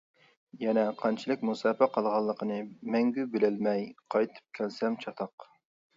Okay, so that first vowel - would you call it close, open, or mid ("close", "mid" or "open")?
mid